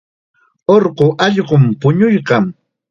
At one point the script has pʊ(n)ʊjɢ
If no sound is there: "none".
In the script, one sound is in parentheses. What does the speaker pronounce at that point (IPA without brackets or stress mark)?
ɲ